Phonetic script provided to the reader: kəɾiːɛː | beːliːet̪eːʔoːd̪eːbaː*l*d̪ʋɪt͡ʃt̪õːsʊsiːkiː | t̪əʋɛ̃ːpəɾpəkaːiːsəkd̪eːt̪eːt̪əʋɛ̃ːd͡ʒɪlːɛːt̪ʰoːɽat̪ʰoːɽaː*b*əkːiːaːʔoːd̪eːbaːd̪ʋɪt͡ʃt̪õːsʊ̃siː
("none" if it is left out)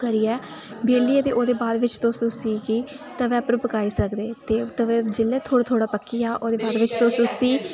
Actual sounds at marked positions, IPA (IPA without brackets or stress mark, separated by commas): none, p